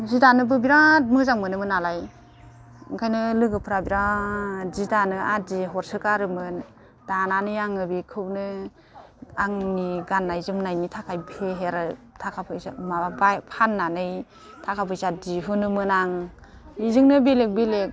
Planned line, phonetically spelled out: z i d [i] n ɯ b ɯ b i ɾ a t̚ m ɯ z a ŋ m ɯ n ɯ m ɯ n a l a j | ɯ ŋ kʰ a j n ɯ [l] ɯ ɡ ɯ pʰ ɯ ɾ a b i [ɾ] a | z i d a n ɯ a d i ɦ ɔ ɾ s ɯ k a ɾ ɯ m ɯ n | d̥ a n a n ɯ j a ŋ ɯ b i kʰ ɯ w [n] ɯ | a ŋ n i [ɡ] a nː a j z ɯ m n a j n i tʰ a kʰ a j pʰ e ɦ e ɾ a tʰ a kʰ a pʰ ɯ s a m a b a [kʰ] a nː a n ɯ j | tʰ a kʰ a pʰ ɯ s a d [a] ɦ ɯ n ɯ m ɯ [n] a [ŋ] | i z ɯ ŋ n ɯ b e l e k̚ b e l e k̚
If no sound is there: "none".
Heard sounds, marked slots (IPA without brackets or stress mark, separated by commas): a, l, ɾ, n, ɡ, pʰ, i, n, ŋ